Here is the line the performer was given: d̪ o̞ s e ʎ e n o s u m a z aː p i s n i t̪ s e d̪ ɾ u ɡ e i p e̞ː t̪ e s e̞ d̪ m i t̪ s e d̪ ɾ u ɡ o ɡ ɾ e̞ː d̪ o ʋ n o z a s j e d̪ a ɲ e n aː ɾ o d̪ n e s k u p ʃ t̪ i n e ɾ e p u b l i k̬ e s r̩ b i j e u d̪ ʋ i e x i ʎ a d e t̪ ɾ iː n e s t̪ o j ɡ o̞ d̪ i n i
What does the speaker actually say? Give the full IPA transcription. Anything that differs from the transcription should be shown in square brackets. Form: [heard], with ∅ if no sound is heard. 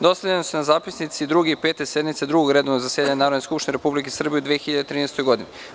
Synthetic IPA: d̪ o̞ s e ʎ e n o s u [n] a z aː p i s n i t̪ s [i] d̪ ɾ u ɡ e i p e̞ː t̪ e s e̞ d̪ m i t̪ s e d̪ ɾ u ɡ o ɡ ɾ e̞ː d̪ o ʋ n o z a s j e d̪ a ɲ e n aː ɾ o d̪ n e s k u p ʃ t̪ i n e ɾ e p u b l i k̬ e s r̩ b i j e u d̪ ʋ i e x i ʎ a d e t̪ ɾ iː n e s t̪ o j ɡ o̞ d̪ i n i